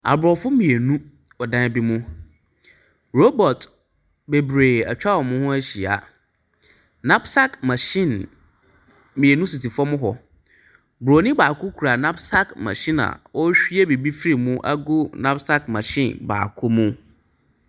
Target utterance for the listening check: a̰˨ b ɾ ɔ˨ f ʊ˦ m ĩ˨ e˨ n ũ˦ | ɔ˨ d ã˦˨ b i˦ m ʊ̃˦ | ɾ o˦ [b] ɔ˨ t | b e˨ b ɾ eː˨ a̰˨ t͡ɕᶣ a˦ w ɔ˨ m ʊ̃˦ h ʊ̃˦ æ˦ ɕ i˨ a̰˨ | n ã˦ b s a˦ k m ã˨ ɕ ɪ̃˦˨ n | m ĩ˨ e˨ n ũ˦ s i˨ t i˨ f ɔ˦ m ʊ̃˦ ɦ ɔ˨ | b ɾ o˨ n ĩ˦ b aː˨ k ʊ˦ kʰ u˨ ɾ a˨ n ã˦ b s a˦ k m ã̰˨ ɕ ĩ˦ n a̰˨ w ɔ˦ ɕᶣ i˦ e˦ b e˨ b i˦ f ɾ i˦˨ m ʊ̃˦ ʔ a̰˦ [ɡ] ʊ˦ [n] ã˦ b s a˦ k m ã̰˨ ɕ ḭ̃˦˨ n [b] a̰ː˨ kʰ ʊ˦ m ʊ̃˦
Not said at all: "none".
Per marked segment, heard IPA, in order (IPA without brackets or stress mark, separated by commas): b, ɡ, n, b